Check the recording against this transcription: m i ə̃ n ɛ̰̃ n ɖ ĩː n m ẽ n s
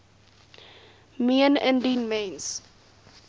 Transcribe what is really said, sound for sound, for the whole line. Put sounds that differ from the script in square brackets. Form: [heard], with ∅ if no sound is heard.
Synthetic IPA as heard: m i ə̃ n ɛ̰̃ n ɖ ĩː n m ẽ n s